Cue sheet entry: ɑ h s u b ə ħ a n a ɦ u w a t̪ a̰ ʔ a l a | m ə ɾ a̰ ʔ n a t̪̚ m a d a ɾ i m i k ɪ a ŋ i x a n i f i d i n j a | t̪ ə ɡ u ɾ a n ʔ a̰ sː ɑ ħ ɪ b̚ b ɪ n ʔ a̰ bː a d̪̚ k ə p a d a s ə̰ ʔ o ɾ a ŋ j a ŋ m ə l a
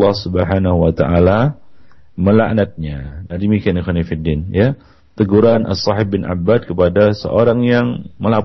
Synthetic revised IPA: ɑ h s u b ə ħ a n a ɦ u w a t̪ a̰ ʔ a l a | m ə l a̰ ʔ n a t̪̚ ɲ a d a ɾ i m i k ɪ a n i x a n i f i d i n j a | t̪ ə ɡ u ɾ a n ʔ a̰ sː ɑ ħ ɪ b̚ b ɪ n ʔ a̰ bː a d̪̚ k ə p a d a s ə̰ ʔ o ɾ a ŋ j a ŋ m ə l a